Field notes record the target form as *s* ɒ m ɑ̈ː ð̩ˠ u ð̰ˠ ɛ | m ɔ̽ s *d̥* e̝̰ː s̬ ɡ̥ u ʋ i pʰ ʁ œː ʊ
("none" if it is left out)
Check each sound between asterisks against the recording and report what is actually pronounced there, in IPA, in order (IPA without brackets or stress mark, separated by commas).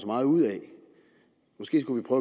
s, ɡ̥